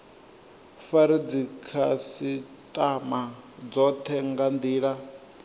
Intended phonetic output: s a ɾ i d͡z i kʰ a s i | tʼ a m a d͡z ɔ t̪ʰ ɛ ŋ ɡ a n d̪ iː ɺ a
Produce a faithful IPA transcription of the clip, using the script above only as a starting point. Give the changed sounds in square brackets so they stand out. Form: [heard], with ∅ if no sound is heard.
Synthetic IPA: [f] a ɾ i d͡z i kʰ a s i | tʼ a m a d͡z ɔ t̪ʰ ɛ ŋ ɡ a n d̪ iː ɺ a